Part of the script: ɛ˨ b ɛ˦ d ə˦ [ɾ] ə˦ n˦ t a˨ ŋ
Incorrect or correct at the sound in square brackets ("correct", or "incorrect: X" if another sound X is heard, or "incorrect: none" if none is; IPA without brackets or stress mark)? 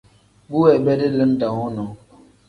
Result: incorrect: l